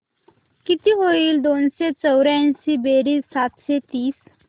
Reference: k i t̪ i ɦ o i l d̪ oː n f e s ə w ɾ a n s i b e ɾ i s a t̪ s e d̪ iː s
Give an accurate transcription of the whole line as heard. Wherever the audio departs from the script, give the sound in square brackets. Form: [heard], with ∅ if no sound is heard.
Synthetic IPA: k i t̪ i ɦ o i l d̪ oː n [s] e [t͡s] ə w ɾ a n s i b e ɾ i s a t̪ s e [t̪] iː s